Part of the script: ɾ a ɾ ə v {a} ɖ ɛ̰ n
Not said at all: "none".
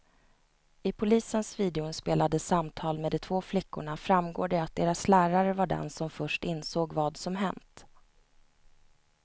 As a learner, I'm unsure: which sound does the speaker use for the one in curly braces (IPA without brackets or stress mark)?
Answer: a